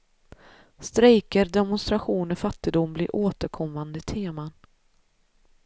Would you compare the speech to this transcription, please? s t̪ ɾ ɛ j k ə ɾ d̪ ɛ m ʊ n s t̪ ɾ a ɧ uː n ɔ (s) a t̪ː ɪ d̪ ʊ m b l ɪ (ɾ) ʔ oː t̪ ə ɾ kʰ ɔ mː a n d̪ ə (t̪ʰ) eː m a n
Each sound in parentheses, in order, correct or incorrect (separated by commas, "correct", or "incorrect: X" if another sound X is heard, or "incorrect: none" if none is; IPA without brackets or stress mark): incorrect: f, correct, correct